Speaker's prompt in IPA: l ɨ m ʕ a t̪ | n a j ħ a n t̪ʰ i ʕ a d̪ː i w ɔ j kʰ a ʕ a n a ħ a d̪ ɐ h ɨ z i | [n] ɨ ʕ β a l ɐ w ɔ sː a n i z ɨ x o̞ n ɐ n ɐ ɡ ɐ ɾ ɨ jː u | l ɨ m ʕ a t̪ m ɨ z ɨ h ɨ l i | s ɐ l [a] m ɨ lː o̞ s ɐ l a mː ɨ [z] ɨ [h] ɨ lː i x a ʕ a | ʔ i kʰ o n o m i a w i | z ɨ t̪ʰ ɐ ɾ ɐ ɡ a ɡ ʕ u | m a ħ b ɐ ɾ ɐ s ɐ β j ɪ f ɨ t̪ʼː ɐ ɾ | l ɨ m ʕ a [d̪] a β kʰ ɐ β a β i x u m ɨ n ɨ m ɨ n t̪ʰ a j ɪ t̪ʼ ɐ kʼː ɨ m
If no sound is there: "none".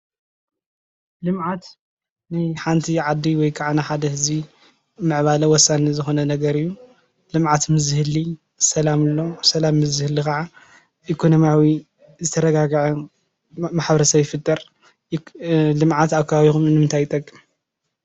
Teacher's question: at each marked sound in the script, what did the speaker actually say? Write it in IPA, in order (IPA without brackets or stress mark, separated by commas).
m, a, z, h, t̪